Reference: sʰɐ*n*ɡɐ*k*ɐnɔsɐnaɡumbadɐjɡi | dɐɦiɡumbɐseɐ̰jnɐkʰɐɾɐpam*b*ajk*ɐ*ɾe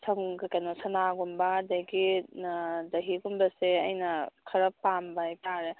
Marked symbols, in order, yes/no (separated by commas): no, yes, yes, no